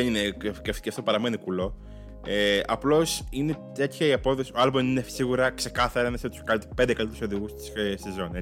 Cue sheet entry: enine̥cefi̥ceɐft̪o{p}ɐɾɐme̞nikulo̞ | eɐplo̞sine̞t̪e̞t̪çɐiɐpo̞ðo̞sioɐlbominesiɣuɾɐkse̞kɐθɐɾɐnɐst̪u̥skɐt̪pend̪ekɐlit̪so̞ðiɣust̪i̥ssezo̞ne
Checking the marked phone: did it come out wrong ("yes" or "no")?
no